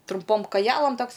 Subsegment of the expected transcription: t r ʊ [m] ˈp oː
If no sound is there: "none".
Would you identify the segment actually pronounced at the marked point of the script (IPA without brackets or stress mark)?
m